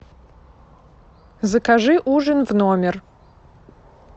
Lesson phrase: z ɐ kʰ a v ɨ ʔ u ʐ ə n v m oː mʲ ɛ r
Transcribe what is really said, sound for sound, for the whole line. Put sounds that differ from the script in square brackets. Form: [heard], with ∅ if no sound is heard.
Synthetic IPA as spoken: z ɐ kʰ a [ʐ] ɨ ʔ u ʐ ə n v [n] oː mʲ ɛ r